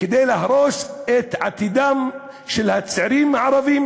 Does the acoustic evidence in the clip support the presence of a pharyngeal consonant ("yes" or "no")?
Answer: yes